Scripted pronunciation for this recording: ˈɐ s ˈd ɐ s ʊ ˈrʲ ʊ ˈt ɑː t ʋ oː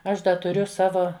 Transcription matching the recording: ˈɐ ʃ ˈd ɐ t ʊ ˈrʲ ʊ ˈs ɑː ʋ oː